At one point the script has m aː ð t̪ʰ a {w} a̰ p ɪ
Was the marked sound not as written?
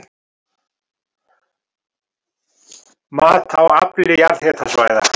no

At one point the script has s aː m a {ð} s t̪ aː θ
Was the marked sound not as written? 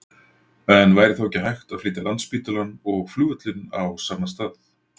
yes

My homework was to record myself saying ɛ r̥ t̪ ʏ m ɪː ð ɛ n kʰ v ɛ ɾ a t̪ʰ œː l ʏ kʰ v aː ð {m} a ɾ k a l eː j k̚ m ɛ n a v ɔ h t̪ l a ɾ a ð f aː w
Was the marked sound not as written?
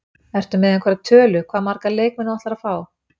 no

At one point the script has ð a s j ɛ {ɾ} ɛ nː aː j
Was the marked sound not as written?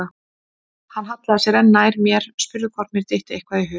no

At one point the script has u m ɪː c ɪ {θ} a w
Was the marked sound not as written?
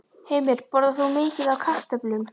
yes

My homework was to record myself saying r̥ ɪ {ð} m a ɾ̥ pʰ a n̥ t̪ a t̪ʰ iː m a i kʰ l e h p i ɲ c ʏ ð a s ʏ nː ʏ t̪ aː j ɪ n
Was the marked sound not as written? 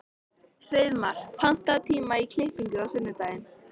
no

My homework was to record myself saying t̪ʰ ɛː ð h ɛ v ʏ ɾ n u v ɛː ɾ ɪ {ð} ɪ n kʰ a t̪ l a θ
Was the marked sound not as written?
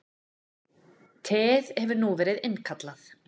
no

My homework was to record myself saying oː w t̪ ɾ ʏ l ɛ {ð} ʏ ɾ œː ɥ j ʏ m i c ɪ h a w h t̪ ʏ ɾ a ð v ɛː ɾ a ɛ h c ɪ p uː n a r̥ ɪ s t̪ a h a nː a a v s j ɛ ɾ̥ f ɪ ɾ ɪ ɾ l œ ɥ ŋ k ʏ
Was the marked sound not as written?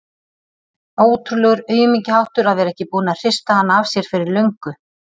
yes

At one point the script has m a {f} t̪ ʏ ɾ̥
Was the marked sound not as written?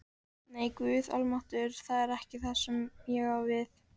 yes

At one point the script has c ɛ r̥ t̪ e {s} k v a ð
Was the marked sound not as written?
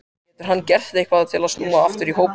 yes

